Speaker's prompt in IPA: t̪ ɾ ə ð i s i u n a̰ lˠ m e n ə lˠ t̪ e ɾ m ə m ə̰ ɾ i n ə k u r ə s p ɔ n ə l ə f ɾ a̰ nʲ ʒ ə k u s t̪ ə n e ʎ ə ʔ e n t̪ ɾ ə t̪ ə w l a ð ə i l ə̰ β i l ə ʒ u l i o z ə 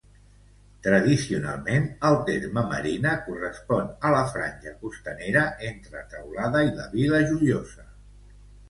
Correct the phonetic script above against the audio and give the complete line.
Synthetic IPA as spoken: t̪ ɾ ə ð i s i u n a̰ lˠ m e n ə lˠ t̪ e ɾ m ə m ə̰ ɾ i n ə k u r ə s p ɔ n ə l ə f ɾ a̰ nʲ ʒ ə k u s t̪ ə n e ɾ ə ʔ e n t̪ ɾ ə t̪ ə w l a ð ə i l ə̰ β i l ə ʒ u l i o z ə

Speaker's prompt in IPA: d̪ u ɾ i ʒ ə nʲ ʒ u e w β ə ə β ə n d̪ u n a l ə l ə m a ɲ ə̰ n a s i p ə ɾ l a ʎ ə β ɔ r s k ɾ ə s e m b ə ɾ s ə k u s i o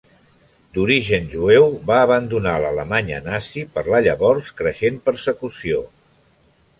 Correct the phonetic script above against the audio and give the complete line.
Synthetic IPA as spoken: d̪ u ɾ i ʒ ə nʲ ʒ u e w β a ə β ə n d̪ u n a l ə l ə m a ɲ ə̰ n a s i p ə ɾ l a ʎ ə β ɔ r s k ɾ ə ʃ e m p ə ɾ s ə k u s i o

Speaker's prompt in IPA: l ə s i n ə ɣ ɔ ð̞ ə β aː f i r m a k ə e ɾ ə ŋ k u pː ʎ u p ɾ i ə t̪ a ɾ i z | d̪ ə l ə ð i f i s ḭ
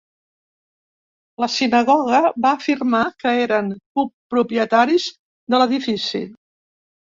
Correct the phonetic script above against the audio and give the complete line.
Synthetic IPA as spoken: l ə s i n ə ɣ ɔ ɣ̞ ə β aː f i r m a k ə e ɾ ə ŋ k u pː ɾ u p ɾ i ə t̪ a ɾ i z | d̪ ə l ə ð i f i s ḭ

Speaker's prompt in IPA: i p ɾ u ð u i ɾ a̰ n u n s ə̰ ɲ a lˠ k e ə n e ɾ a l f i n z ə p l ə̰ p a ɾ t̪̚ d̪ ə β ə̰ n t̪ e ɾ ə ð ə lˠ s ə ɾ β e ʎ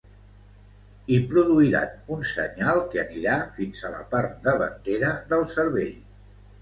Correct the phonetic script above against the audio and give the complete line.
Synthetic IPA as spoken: i p ɾ u ð u i ɾ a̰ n u n s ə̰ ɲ a lˠ k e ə n i ɾ a f i n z ə l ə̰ p a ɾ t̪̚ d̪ ə β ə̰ n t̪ e ɾ ə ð ə lˠ s ə ɾ β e ʎ

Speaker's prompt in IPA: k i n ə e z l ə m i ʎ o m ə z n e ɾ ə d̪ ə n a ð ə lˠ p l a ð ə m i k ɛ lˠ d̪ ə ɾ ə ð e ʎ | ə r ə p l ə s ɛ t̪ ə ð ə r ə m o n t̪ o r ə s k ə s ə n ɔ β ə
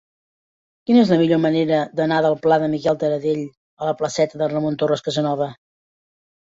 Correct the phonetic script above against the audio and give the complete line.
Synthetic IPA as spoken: k i n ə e z l ə m i ʎ o m ə n e ɾ ə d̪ ə n a ð ə lˠ p l a ð ə m i k ɛ lˠ t̪ ə ɾ ə ð e ʎ | ə l ə p l ə s ɛ t̪ ə ð ə r ə m o n t̪ o r ə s k ə z ə n ɔ β ə

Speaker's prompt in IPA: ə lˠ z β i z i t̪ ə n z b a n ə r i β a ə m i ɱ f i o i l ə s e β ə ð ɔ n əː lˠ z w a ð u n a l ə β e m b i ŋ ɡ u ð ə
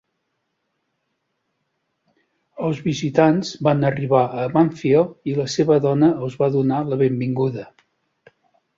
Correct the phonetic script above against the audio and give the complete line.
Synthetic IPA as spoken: ə lˠ z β i z i t̪ a n z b a n ə r i β a ə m a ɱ f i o i l ə s e β ə ð ɔ n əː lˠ z β a ð u n a l ə β e m b i ŋ ɡ u ð ə

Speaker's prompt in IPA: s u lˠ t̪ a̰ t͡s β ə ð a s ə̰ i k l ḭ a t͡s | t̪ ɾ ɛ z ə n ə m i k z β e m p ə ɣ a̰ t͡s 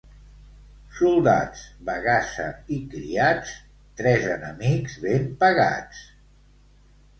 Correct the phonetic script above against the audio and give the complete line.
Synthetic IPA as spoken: s u lˠ d̪ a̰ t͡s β ə ɣ a s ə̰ i k ɾ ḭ a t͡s | t̪ ɾ ɛ z ə n ə m i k z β e m p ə ɣ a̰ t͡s

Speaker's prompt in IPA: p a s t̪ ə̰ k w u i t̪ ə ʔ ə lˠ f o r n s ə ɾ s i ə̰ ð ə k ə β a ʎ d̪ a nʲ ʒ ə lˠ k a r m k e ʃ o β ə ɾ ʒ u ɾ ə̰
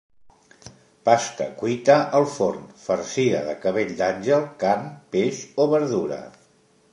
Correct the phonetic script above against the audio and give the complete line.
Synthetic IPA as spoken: p a s t̪ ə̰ k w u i t̪ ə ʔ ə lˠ f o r n f ə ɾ s i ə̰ ð ə k ə β e ʎ d̪ a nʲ ʒ ə lˠ k a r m p e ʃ o β ə ɾ ð u ɾ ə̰

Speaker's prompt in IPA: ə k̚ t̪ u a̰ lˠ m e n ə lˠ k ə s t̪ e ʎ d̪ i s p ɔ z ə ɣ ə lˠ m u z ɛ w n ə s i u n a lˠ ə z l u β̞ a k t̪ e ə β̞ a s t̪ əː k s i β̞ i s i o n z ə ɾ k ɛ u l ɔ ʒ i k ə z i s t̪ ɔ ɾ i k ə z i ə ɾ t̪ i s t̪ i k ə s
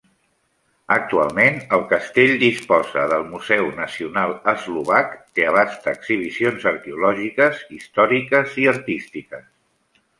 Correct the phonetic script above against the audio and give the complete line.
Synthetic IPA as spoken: ə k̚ t̪ u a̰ lˠ m e n ə lˠ k ə s t̪ e ʎ d̪ i s p ɔ z ə ð ə lˠ m u z ɛ w n ə s i u n a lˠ ə z l u β̞ a k t̪ e ə β̞ a s t̪ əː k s i β̞ i s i o n z ə ɾ k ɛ u l ɔ ʒ i k ə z i s t̪ ɔ ɾ i k ə z i ə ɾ t̪ i s t̪ i k ə s

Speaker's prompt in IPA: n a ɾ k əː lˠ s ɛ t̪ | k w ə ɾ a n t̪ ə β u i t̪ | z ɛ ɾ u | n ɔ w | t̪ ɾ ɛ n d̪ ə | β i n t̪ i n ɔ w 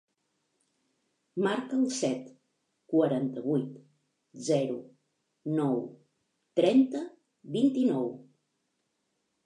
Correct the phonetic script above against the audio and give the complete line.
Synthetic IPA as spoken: m a ɾ k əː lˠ s ɛ t̪ | k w ə ɾ a n t̪ ə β u j t̪ | z ɛ ɾ u | n ɔ w | t̪ ɾ ɛ n t̪ ə | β i n t̪ i n ɔ w

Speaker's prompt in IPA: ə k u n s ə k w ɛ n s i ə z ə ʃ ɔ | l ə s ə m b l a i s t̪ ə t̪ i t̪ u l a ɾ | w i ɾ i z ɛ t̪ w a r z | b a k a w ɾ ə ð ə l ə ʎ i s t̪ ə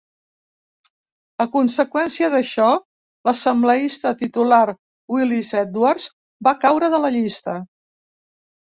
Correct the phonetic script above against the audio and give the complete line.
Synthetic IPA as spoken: ə k u n s ə k w ɛ n s i ə ð ə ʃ ɔ | l ə s ə m b l ə i s t̪ ə t̪ i t̪ u l a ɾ | w i l i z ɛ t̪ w a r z | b a k a w ɾ ə ð ə l ə ʎ i s t̪ ə

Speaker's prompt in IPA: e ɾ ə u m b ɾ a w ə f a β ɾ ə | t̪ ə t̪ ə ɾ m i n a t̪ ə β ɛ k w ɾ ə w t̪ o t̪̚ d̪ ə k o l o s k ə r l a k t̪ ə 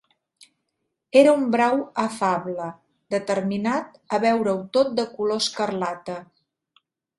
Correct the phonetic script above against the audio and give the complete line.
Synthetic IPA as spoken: e ɾ ə u m b ɾ a w ə f a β l ə | d̪ ə t̪ ə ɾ m i n a t̪ ə β ɛ w ɾ ə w t̪ o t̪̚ d̪ ə k u l o s k ə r l a t̪ ə

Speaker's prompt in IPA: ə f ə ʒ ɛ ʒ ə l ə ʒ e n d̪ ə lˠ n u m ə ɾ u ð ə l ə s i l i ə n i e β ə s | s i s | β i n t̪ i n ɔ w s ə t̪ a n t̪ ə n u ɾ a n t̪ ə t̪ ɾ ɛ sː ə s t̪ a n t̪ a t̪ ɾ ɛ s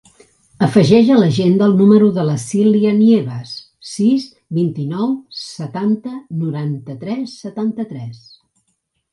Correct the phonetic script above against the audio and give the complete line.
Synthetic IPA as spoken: ə f ə ʒ ɛ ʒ ə l ə ʒ e n d̪ ə lˠ n u m ə ɾ u ð ə l ə s i l i ə n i e β ə s | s i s | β i n t̪ i n ɔ w s ə t̪ a n t̪ ə n u ɾ a n t̪ ə t̪ ɾ ɛ sː ə t̪ a n t̪ ə t̪ ɾ ɛ s

